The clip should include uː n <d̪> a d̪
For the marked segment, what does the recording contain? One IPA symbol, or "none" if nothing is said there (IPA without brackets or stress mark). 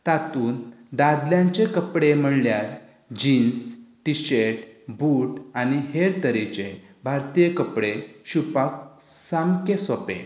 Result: d̪